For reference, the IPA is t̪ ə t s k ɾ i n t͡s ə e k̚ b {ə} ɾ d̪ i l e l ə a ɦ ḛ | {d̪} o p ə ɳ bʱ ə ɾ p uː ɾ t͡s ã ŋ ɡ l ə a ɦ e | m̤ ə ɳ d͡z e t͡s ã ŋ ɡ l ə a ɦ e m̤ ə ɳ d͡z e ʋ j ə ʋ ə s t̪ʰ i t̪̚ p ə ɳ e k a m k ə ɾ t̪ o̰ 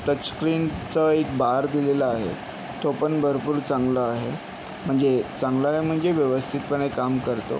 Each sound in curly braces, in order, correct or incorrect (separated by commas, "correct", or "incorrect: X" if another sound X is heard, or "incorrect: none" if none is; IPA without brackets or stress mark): incorrect: a, incorrect: t̪